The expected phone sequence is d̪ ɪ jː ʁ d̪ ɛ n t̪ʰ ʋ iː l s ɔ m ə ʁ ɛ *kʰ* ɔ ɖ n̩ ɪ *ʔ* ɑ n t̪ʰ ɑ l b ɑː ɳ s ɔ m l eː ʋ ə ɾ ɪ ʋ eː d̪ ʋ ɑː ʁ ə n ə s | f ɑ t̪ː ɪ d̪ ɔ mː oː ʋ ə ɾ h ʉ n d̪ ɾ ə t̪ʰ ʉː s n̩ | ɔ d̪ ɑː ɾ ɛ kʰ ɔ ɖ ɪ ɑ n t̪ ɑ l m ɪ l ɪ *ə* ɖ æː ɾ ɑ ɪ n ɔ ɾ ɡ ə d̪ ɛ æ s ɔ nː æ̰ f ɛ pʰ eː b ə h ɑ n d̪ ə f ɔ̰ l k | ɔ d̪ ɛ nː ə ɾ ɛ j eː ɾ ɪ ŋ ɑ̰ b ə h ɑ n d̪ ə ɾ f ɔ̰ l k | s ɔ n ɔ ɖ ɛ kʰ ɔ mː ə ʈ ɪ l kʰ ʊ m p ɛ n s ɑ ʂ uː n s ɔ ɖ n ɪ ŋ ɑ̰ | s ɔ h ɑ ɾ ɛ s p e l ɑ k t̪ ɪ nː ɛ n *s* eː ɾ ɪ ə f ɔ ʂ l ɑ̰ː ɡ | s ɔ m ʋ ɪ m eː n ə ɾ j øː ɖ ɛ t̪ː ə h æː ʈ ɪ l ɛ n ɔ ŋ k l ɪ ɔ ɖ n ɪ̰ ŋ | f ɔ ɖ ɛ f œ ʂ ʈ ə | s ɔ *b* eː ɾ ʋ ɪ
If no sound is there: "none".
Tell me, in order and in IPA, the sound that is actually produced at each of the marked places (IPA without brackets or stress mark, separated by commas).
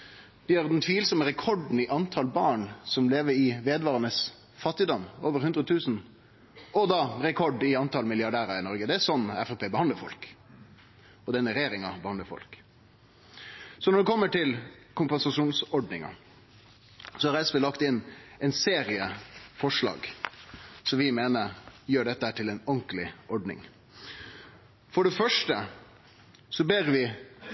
kʰ, ʔ, ɑ, s, b